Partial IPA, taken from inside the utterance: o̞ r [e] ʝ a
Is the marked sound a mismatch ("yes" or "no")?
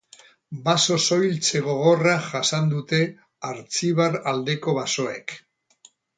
yes